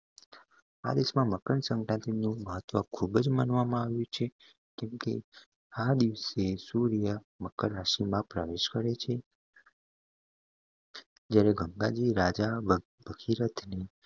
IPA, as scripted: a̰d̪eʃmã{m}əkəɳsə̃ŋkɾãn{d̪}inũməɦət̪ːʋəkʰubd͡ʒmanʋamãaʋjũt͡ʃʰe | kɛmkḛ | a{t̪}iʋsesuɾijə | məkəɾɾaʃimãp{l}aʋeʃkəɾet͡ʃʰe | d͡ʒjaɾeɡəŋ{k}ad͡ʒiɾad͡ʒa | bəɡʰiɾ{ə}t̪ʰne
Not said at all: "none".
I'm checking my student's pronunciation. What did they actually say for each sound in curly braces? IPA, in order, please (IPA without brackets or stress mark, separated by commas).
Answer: m, t̪, d̪, ɾ, ɡ, ə